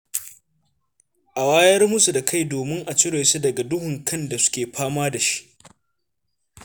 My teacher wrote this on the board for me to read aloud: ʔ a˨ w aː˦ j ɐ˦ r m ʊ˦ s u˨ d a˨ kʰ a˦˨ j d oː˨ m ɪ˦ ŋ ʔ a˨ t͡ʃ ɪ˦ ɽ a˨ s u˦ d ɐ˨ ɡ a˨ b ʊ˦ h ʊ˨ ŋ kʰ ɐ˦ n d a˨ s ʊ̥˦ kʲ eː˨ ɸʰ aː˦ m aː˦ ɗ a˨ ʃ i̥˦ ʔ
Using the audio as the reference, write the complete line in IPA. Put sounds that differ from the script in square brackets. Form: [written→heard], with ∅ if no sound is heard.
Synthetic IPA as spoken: ʔ a˨ w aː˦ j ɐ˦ r m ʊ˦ s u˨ d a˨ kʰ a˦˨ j d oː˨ m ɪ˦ ŋ ʔ a˨ t͡ʃ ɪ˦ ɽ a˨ s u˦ d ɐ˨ ɡ a˨ [b→d] ʊ˦ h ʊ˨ ŋ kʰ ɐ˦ n d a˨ s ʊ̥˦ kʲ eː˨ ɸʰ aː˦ m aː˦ [ɗ→d] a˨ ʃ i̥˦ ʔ